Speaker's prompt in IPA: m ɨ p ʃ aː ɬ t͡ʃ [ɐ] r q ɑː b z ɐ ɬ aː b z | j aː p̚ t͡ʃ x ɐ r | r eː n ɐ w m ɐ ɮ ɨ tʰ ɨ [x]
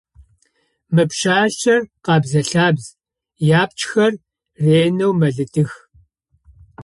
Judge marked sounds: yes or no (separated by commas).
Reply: yes, yes